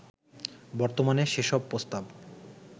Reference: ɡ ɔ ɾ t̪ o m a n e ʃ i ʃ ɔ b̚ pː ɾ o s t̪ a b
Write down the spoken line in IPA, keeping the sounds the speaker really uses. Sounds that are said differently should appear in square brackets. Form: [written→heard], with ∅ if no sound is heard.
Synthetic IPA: [ɡ→b] ɔ ɾ t̪ o m a n e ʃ [i→e] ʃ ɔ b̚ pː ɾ o s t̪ a b